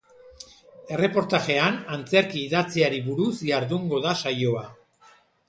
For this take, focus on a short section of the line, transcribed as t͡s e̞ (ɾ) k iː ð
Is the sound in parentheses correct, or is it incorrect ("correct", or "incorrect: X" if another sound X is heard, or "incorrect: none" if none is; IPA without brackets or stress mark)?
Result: correct